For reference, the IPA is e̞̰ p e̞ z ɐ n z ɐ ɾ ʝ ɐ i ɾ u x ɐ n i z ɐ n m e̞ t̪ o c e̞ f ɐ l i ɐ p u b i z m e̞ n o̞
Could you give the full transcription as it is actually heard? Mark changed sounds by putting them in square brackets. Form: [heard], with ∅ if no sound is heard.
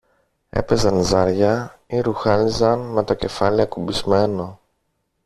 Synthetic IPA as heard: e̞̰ p e̞ z ɐ n z ɐ ɾ ʝ ɐ i ɾ u x ɐ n i z ɐ n m e̞ t̪ o c e̞ f ɐ l i ɐ [k] u b i z m e̞ n o̞